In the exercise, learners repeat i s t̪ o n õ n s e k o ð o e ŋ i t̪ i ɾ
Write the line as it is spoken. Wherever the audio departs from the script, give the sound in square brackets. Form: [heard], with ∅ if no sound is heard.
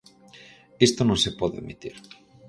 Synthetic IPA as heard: [e] s t̪ o n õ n s e [p] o ð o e [m] i t̪ i ɾ